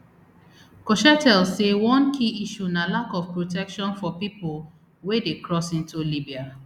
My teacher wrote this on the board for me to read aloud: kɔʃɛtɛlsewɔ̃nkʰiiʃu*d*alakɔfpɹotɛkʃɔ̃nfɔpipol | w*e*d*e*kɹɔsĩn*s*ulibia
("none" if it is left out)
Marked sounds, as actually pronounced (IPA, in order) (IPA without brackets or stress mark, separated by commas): n, e, e, t